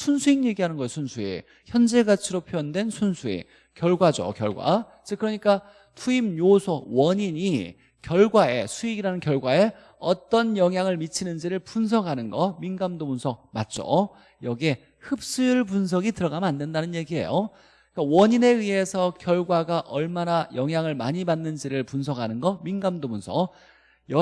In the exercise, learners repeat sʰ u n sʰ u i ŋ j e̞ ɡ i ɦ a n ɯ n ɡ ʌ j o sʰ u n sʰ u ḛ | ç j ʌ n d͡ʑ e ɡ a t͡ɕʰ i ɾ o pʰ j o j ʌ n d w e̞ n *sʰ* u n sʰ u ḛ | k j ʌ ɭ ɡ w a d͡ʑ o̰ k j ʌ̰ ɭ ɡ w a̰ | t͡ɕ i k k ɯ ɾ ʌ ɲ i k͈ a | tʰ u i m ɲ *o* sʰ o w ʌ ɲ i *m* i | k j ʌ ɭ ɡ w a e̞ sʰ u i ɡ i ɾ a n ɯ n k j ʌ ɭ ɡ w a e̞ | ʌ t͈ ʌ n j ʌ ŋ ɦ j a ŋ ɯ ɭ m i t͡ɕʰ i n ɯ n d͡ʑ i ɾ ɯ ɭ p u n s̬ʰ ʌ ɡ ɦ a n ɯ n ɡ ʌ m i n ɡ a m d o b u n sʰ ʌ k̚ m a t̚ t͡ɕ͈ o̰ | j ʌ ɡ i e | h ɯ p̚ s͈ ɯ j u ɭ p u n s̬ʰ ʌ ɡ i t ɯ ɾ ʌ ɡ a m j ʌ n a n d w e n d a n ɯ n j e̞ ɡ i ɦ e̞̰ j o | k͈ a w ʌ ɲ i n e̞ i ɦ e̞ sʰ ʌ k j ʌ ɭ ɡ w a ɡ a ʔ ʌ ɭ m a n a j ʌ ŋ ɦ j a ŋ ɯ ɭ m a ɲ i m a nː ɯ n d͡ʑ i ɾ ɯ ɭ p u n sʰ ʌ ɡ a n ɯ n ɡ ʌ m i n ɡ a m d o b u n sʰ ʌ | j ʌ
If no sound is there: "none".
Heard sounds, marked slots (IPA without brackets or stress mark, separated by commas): sʰ, o, ɲ